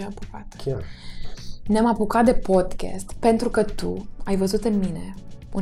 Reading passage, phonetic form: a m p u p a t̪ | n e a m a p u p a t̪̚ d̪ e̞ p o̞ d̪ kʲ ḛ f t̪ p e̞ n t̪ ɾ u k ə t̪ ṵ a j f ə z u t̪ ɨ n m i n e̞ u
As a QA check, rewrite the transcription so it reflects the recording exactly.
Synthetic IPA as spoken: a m p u k a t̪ | n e a m a p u k a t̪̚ d̪ e̞ p o̞ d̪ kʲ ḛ s t̪ p e̞ n t̪ ɾ u k ə t̪ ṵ a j v ə z u t̪ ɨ n m i n e̞ u